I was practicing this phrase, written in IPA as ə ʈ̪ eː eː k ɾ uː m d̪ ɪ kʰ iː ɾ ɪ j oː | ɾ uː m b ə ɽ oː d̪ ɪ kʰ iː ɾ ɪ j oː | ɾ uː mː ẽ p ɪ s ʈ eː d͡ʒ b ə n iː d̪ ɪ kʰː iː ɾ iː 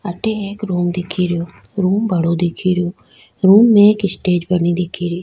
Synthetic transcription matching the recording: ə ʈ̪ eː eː k ɾ uː m d̪ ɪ kʰ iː ɾ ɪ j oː | ɾ uː m b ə ɽ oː d̪ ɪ kʰ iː ɾ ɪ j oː | ɾ uː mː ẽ k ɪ s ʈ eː d͡ʒ b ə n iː d̪ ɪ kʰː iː ɾ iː